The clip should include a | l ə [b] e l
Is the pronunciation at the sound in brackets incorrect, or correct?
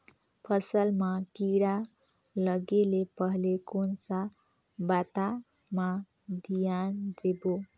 incorrect